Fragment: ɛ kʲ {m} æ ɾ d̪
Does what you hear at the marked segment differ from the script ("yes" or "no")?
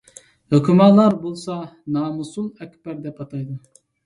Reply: yes